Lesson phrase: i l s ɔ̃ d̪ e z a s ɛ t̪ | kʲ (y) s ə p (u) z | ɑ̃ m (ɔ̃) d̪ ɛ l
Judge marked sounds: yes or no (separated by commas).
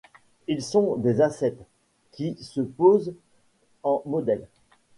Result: no, no, no